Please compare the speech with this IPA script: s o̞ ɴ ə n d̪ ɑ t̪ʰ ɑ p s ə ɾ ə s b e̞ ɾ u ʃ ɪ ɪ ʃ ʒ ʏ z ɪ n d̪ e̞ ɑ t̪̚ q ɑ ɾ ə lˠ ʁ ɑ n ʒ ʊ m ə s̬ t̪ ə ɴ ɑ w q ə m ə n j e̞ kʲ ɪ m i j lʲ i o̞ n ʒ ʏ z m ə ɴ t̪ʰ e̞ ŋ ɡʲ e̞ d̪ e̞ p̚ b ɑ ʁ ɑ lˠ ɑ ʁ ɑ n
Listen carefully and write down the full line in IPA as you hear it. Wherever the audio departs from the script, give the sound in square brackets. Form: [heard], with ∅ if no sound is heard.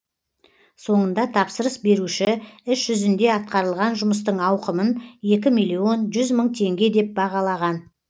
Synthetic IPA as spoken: s o̞ ɴ ə n d̪ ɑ t̪ʰ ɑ p s ə ɾ ə s b e̞ ɾ u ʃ ɪ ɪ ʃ ʒ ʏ z ɪ n d̪ e̞ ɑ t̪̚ q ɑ ɾ ə lˠ ʁ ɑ n ʒ ʊ m ə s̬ t̪ ə ɴ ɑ w q ə m ə n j e̞ kʲ ɪ m i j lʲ i o̞ n ʒ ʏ z m ə ɴ t̪ʰ e̞ ŋ ɡʲ e̞ d̪ e̞ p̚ b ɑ ʁ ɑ lˠ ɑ ʁ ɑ n